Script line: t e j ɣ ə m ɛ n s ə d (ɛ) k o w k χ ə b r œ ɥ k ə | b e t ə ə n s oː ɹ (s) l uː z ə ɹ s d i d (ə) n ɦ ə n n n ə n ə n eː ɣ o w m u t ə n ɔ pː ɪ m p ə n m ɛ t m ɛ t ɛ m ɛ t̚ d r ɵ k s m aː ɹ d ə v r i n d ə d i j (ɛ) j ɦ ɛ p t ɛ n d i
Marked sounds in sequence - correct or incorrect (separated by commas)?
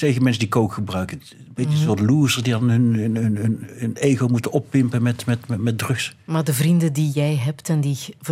incorrect, incorrect, incorrect, correct